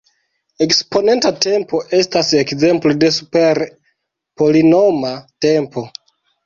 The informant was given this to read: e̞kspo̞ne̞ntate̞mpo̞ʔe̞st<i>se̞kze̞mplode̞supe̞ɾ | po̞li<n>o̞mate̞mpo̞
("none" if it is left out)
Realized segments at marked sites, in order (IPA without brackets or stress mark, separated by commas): a, n